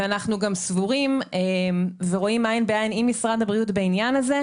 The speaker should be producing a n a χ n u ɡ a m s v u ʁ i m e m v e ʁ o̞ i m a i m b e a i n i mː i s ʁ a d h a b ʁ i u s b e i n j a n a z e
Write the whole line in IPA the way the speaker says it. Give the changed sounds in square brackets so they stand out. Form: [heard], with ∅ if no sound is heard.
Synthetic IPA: a n a χ n u ɡ a m s v u ʁ i m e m v e ʁ o̞ i m a i [n] b e a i n i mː i s ʁ a d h a b ʁ i u [t] b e i n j a n a z e

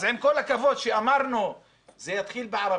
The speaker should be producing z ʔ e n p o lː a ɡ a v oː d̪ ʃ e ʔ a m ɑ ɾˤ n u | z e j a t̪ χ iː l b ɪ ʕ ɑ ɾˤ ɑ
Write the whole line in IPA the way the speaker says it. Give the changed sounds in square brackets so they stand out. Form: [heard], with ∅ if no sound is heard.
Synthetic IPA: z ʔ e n [k] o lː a [k] a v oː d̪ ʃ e ʔ a m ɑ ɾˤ n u | z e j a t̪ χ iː l b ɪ ʕ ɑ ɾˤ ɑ

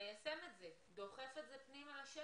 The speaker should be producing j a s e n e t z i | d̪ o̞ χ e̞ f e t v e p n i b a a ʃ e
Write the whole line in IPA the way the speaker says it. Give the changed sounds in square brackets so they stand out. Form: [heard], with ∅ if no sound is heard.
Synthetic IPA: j a s e [m] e t z [e] | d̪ o̞ χ e̞ f e t [z] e p n i [m] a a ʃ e

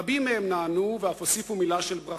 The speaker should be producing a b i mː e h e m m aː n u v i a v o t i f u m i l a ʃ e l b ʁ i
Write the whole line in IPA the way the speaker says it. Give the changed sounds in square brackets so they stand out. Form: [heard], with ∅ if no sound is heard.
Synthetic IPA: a b i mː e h e m [n] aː n u v [e] a [f] o [s] i f u m i l a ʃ e l b ʁ [a]

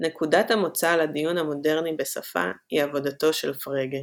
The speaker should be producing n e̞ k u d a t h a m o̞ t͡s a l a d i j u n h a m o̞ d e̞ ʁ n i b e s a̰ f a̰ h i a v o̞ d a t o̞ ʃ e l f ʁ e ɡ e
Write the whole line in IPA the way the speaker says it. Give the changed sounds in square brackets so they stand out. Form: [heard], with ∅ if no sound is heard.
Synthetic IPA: n e̞ k u d a t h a m o̞ t͡s a l a d i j u n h a m o̞ d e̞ ʁ n i b e s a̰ f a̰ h i a v o̞ d a t o̞ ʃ e l f ʁ e ɡ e

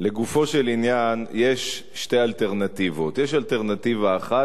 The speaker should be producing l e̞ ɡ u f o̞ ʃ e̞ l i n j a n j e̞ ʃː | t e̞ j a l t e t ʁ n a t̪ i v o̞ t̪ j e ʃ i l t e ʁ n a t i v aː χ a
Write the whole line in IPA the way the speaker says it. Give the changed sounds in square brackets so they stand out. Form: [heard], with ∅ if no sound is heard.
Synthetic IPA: l e̞ ɡ u f o̞ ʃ e̞ l i n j a n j e̞ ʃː | t e̞ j a l t e [∅] ʁ n a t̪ i v o̞ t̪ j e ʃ [a] l t e ʁ n a t i v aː χ a

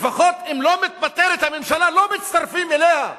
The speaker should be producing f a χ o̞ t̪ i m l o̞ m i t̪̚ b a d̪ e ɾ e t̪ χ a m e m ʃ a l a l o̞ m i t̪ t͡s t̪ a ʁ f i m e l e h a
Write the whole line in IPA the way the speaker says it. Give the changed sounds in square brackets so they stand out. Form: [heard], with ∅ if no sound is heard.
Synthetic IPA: f a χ o̞ t̪ i m l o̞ m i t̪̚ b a [t̪] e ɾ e t̪ [h] a m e m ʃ a l a l o̞ m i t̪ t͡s t̪ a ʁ f i m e l e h a

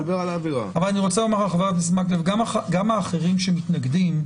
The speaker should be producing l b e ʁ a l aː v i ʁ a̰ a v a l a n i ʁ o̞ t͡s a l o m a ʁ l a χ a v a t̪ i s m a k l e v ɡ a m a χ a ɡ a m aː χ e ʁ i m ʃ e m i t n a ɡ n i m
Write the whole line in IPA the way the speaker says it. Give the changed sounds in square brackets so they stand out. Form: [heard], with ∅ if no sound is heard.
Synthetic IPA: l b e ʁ a l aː v i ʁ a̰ a v a l a n i ʁ o̞ t͡s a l o m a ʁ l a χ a v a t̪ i s m a k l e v ɡ a m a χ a ɡ a m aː χ e ʁ i m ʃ e m i t n a ɡ [d] i m

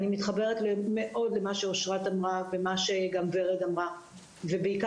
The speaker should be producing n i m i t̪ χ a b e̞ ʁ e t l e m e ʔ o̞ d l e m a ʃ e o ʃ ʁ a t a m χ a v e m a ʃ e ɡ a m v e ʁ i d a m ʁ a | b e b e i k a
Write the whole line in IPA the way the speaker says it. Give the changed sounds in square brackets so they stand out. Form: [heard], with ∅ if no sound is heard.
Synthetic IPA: n i m i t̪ χ a b e̞ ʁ e t l e m e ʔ o̞ d l e m a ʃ e o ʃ ʁ a t a m [ʁ] a v e m a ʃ e ɡ a m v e ʁ [e] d a m ʁ a | [v] e b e i k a

